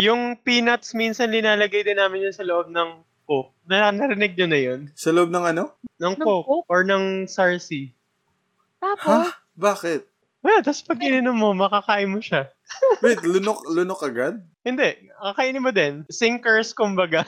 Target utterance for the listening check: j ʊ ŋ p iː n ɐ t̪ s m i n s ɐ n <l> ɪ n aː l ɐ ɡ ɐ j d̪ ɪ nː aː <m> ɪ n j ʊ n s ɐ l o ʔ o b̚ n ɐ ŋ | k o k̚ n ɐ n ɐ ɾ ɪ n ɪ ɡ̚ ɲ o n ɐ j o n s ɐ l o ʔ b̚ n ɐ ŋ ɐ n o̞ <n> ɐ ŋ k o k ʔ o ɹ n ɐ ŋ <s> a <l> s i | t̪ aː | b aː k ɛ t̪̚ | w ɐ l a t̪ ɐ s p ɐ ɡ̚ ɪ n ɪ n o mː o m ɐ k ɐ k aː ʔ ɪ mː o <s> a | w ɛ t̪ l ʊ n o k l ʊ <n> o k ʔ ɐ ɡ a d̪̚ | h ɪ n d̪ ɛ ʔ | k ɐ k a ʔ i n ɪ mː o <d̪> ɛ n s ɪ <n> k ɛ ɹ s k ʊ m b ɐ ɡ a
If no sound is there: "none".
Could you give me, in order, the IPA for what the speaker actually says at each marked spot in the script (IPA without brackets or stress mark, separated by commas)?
l, m, n, s, ɹ, ʃ, n, d̪, ŋ